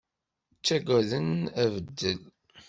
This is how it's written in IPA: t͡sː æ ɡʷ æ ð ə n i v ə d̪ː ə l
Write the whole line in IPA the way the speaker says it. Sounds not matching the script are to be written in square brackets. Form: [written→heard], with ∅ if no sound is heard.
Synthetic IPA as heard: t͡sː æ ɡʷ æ ð ə n [i→æ] v ə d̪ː ə l